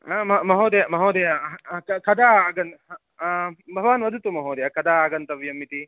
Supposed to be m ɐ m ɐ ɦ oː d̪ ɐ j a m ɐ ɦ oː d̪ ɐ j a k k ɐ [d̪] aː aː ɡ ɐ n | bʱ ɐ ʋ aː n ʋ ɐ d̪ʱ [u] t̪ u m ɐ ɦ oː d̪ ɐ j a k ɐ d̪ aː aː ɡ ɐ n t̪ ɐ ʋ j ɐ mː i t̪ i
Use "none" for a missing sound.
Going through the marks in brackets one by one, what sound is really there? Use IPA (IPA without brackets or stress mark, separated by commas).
d̪, u